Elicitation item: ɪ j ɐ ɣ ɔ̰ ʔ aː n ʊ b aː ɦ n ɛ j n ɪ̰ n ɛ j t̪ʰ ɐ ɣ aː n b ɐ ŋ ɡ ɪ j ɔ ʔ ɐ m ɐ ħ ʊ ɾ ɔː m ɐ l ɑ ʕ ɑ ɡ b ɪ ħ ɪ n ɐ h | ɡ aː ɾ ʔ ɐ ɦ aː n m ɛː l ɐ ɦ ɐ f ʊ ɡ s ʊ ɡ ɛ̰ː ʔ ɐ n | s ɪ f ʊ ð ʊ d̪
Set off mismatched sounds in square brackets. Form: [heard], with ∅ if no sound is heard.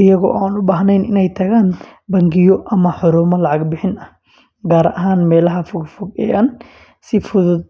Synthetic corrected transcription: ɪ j ɐ ɣ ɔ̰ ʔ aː n ʊ b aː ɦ n ɛ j n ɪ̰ n ɛ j t̪ʰ ɐ ɣ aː n b ɐ ŋ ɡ ɪ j ɔ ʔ ɐ m ɐ ħ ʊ ɾ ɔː m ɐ l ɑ ʕ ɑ ɡ b ɪ ħ ɪ n ɐ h | ɡ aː ɾ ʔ ɐ ɦ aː n m ɛː l ɐ ɦ ɐ f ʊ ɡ [f] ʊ ɡ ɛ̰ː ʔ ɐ n | s ɪ f ʊ ð ʊ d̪